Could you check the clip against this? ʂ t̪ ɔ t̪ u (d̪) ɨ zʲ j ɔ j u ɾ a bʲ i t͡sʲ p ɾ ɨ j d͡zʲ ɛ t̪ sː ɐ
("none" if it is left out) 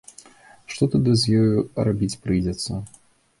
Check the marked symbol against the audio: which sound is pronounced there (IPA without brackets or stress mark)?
d̪